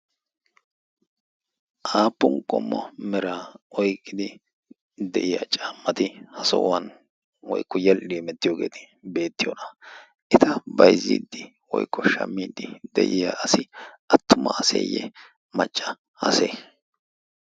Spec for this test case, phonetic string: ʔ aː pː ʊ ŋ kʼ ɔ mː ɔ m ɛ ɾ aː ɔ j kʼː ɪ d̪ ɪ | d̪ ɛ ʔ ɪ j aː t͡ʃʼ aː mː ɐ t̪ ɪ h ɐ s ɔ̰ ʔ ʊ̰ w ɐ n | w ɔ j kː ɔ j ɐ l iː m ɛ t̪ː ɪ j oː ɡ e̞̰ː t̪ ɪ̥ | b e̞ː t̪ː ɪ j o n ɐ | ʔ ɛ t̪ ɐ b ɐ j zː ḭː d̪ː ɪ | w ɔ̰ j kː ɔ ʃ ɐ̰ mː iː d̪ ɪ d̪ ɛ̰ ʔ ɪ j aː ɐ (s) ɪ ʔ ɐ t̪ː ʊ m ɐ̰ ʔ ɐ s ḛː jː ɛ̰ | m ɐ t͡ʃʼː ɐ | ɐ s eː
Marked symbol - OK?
yes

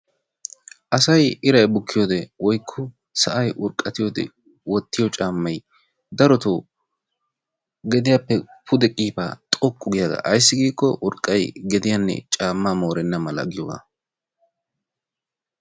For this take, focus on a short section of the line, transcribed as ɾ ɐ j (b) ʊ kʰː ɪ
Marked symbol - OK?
yes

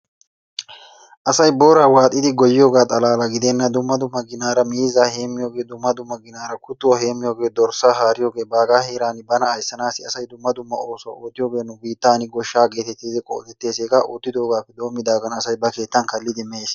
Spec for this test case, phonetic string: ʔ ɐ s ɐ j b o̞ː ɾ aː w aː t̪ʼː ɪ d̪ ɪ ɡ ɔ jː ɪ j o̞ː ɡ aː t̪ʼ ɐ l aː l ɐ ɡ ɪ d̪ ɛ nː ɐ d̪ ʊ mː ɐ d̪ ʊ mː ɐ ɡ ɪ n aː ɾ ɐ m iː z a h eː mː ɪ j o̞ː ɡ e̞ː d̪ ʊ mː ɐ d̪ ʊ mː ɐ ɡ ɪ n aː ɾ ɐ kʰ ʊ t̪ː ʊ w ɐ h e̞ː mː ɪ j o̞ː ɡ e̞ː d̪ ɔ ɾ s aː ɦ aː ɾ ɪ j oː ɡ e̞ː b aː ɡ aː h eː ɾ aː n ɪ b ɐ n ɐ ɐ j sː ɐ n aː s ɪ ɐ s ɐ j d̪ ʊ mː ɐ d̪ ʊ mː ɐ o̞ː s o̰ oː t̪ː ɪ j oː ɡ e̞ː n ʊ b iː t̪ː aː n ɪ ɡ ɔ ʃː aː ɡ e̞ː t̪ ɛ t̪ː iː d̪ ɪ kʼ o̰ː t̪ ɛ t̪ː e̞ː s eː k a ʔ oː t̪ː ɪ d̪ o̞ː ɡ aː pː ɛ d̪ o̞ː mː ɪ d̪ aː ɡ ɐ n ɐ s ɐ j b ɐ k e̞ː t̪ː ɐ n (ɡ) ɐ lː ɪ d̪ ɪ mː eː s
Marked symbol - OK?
no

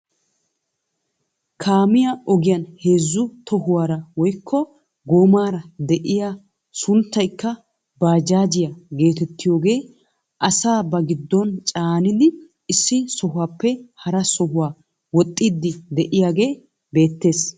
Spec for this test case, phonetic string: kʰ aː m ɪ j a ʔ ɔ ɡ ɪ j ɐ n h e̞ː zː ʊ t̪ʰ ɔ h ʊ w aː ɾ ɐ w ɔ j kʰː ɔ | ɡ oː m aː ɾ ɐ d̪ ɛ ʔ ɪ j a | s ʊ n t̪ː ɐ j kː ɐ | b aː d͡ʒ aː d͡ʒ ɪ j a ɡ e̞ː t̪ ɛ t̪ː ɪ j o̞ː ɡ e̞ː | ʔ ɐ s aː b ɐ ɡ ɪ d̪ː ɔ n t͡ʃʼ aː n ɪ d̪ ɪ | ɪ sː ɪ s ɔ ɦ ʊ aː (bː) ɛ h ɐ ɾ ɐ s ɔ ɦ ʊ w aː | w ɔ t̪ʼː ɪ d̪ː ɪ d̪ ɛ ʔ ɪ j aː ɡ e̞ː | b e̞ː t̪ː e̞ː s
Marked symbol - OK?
no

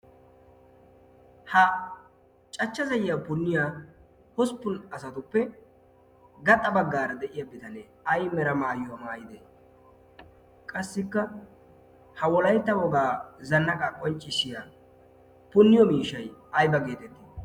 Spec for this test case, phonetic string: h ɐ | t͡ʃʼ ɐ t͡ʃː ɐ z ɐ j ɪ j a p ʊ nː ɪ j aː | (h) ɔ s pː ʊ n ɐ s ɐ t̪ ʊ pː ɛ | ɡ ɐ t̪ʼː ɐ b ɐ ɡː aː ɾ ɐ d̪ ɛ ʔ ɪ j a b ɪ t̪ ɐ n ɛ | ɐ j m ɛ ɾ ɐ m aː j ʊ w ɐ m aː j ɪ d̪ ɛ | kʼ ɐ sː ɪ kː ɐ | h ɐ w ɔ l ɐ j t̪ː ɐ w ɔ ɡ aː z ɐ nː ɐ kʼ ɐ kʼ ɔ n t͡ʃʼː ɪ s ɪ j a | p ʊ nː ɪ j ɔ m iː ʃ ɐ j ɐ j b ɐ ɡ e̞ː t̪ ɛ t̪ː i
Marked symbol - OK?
yes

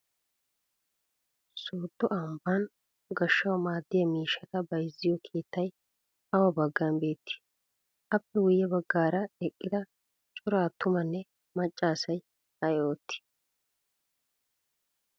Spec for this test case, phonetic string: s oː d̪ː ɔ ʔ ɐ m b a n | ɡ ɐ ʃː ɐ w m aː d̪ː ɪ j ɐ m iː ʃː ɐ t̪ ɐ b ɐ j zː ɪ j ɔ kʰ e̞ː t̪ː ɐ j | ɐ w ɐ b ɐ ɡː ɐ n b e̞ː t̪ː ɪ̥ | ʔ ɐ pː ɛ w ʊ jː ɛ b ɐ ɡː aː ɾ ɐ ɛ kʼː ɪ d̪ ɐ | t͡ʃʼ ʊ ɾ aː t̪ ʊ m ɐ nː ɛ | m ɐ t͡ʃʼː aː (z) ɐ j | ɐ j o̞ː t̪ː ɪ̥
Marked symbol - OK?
no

